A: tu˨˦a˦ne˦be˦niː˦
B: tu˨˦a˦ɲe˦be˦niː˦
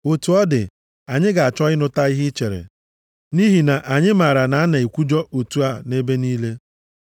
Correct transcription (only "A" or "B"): A